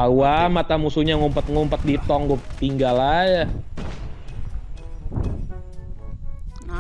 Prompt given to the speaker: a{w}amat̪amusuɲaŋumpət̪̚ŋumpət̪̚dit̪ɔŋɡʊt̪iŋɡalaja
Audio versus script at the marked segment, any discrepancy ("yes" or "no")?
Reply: no